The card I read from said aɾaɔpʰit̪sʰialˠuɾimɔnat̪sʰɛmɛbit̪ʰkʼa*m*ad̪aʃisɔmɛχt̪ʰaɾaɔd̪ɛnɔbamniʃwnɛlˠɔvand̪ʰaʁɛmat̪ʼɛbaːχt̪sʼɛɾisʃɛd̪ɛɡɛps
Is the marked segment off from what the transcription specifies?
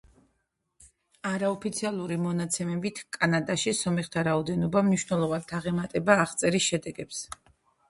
yes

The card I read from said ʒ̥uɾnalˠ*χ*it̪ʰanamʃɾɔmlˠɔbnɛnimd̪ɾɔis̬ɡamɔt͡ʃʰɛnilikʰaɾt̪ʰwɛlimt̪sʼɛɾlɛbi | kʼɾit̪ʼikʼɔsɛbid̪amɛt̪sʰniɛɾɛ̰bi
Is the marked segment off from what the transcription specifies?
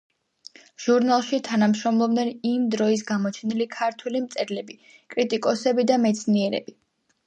yes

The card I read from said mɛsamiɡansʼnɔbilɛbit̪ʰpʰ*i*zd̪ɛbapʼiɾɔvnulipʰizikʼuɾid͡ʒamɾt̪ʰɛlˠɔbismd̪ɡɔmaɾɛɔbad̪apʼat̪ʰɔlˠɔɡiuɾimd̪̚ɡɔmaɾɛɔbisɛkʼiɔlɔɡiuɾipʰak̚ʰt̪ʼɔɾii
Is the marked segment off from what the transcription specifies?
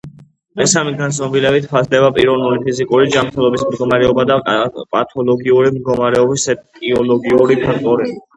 yes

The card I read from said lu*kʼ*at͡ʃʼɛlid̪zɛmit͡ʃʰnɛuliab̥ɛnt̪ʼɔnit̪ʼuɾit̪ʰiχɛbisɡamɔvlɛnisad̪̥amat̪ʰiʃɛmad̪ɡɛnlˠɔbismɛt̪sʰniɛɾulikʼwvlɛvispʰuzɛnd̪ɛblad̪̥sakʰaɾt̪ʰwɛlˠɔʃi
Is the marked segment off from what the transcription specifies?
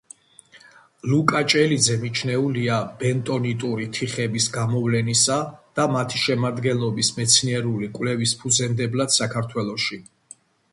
no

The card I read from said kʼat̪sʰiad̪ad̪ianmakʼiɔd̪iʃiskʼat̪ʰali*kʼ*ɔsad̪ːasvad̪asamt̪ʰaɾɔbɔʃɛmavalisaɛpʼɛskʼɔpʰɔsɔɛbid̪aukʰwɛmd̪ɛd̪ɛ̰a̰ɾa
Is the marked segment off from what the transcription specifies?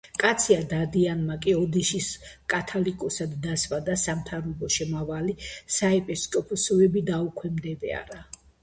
no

